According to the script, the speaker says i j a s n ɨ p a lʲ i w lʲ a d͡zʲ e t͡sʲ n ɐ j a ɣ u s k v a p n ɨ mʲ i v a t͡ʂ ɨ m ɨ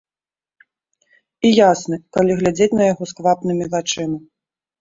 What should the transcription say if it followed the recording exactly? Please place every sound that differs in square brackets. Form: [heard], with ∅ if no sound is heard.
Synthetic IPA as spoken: i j a s n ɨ [k] a lʲ i [ɣ] lʲ a d͡zʲ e t͡sʲ n ɐ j a ɣ [ɔ] s k v a p n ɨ mʲ i v a t͡ʂ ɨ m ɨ